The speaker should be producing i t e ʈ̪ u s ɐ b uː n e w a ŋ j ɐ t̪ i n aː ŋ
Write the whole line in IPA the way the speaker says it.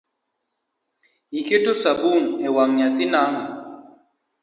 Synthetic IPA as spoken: i k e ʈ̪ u s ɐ b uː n e w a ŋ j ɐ t̪ i n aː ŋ